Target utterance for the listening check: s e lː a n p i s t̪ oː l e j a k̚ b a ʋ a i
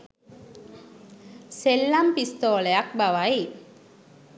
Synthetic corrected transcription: s e lː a m p i s t̪ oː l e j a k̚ b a ʋ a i